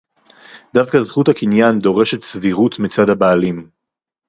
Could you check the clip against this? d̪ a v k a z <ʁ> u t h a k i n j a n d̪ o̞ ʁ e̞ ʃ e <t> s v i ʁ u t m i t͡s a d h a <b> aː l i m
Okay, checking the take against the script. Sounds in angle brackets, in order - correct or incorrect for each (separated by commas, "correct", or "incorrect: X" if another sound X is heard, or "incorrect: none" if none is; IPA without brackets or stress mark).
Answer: incorrect: χ, correct, correct